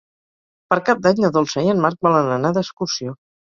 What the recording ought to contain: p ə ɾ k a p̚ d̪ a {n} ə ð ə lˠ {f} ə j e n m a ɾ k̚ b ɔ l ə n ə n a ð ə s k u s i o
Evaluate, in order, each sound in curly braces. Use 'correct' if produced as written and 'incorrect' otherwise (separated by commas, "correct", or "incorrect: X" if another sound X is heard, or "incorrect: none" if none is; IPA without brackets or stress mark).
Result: incorrect: ɲ, incorrect: s